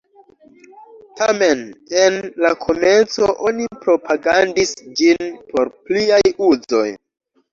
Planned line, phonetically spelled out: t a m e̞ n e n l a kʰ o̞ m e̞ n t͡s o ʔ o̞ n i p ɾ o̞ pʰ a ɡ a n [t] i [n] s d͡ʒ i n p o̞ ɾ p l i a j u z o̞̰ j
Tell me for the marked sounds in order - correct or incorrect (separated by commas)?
incorrect, incorrect